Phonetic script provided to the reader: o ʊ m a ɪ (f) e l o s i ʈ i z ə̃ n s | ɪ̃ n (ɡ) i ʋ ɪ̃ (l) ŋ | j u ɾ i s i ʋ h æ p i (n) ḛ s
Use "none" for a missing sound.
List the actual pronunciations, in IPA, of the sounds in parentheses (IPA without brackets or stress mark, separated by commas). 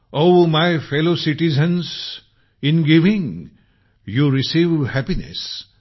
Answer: f, ɡ, none, n